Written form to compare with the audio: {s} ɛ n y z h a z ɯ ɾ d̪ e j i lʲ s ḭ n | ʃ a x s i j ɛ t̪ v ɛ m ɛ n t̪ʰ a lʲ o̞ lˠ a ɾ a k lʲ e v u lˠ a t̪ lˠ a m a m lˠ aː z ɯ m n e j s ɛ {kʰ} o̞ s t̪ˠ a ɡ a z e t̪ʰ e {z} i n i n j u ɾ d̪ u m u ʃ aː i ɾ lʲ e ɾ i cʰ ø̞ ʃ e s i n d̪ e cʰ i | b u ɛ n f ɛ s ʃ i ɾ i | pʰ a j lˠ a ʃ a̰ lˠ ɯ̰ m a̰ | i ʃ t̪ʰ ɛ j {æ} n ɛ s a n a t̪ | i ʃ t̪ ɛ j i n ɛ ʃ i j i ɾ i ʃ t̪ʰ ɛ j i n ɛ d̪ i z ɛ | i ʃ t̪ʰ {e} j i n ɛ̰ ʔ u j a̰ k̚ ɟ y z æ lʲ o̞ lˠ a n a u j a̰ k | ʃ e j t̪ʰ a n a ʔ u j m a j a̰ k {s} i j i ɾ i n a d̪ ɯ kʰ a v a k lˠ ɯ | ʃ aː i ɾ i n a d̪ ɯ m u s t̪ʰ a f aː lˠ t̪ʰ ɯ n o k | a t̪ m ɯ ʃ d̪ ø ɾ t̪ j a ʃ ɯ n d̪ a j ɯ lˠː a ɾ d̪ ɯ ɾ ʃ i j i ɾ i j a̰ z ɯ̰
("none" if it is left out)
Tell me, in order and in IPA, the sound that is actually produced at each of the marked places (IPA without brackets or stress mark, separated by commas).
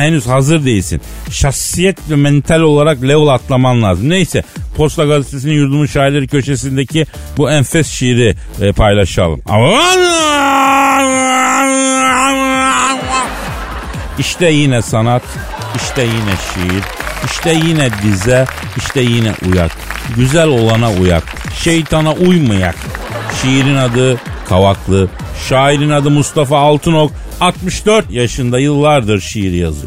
h, pʰ, s, i, ɛ, ʃ